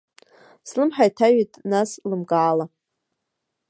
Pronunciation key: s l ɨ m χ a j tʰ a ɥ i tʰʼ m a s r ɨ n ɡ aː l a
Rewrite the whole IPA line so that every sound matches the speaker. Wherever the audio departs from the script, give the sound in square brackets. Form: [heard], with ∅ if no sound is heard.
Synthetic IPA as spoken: s l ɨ m [ħ] a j tʰ a ɥ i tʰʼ [n] a s [l] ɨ [m] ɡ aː l a